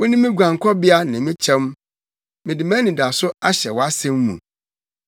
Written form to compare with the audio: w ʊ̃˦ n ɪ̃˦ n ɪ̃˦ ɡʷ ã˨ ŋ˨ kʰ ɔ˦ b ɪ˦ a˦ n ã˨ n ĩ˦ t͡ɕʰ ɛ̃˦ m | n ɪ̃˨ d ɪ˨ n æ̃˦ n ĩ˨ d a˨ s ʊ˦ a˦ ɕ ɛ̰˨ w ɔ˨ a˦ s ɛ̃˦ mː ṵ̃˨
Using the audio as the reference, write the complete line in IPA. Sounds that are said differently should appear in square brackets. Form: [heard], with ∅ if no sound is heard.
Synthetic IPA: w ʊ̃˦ n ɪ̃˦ [m] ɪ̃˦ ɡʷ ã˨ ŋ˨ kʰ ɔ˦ b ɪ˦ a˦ n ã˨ [m] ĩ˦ t͡ɕʰ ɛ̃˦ m | [m] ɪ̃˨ d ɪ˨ [m] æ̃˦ n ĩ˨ d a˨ s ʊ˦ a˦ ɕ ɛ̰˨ w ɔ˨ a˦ s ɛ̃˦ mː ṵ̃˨